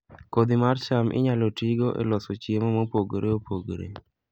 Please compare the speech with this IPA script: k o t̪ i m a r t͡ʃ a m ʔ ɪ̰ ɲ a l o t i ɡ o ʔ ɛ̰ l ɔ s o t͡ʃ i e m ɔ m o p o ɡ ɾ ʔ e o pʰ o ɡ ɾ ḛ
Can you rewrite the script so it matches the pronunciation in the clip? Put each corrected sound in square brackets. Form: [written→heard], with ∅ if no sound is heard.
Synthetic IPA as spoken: k o [t̪→d̪] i m a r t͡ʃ a m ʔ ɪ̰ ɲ a l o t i ɡ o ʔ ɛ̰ l ɔ s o t͡ʃ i e m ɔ m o p o ɡ ɾ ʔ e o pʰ o ɡ ɾ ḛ